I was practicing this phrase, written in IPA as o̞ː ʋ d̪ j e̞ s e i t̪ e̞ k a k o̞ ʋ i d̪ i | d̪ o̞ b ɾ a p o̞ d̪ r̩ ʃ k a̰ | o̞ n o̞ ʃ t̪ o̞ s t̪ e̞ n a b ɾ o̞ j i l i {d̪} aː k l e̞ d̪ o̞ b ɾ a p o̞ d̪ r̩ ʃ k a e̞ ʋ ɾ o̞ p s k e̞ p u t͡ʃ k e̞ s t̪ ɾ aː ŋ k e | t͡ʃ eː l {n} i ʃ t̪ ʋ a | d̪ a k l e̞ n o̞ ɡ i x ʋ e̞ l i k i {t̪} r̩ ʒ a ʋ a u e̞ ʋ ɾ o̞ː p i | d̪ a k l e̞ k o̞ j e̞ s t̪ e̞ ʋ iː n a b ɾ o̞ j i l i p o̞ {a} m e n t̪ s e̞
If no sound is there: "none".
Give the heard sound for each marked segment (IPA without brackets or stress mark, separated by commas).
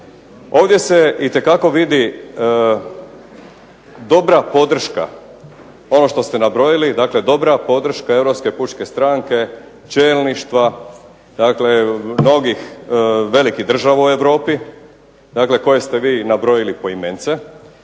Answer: d̪, n, d̪, i